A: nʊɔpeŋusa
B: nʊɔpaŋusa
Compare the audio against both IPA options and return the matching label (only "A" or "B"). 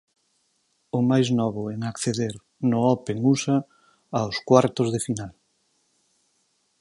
A